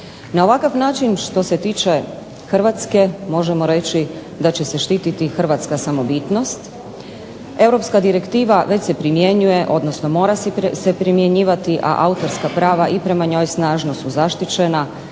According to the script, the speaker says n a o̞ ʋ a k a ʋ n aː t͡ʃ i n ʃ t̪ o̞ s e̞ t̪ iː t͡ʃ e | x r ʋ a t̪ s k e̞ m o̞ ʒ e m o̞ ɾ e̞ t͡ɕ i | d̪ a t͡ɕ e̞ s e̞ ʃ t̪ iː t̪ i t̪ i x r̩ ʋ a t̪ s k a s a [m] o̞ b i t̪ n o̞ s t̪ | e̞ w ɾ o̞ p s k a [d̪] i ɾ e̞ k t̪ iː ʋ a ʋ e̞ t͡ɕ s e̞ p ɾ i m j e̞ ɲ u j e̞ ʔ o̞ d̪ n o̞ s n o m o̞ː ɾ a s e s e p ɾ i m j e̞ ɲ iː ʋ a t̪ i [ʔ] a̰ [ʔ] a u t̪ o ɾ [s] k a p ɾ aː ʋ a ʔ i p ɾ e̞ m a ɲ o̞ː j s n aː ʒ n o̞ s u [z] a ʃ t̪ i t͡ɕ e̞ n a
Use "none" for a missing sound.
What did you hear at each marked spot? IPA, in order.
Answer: m, d̪, ʔ, ʔ, s, z

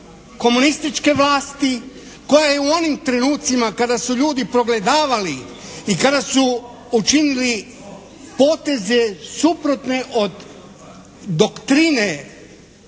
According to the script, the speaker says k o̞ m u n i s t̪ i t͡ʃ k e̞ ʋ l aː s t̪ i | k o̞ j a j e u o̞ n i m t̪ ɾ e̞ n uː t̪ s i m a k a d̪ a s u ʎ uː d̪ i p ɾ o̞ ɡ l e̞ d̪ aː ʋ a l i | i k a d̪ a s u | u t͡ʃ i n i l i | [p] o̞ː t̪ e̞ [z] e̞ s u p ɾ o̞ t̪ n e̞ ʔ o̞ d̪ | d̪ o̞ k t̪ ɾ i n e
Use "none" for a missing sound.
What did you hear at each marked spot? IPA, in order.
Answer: p, z

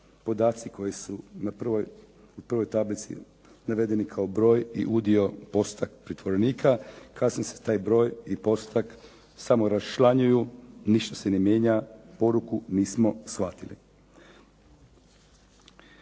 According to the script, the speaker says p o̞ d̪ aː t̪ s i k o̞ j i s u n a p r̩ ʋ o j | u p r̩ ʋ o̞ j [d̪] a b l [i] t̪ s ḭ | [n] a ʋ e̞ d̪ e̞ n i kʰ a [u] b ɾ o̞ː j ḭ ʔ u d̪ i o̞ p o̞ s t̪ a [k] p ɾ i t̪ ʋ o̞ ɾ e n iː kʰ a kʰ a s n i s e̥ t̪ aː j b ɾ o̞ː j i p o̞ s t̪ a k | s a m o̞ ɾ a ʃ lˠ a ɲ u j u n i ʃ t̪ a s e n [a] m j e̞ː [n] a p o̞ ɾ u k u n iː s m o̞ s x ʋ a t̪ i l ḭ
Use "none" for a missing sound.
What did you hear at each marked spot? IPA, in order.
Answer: t̪, i, n, o, k, e, ɲ

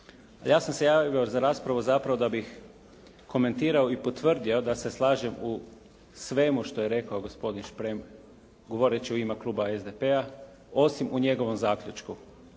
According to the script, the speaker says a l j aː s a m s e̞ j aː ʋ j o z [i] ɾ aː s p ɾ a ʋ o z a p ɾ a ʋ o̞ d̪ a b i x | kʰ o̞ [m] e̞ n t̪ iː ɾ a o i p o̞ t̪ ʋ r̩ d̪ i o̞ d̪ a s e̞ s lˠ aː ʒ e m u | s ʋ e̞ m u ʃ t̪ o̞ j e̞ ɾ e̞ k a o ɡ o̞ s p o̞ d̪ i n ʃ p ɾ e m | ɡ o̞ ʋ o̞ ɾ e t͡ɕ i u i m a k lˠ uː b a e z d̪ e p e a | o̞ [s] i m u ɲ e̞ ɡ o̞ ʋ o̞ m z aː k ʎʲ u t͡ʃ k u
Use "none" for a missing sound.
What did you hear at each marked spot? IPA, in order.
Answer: a, m, s

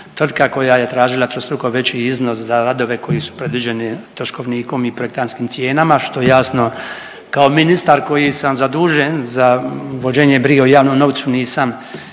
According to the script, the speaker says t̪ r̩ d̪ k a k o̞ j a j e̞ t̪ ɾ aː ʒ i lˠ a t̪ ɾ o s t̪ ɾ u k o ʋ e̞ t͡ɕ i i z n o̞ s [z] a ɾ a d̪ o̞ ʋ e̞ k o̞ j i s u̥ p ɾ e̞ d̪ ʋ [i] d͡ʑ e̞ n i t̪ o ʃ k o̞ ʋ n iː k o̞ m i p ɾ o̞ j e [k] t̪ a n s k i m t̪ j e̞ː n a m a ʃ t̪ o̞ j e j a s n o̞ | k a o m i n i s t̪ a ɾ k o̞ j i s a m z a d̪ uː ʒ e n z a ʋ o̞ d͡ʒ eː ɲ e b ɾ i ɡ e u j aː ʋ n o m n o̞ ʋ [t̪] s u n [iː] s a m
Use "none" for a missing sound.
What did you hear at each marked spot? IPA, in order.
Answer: z, i, k, t̪, iː

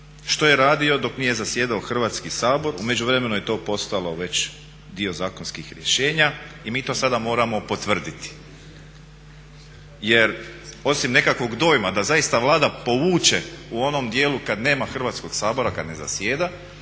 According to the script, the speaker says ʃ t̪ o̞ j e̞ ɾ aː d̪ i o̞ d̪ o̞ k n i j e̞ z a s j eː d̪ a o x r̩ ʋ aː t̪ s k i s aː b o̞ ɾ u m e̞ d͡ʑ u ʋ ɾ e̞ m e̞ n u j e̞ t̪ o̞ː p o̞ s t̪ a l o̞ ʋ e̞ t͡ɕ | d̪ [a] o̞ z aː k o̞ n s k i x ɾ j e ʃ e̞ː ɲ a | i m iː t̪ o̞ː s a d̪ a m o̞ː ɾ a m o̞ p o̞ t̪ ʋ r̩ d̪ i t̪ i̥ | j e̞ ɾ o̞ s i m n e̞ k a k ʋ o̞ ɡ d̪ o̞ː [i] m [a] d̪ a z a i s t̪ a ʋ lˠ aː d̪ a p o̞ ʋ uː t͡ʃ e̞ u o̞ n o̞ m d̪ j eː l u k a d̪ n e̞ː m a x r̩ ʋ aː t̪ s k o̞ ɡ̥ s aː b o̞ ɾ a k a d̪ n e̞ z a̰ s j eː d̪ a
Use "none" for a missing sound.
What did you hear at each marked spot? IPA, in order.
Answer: i, j, a

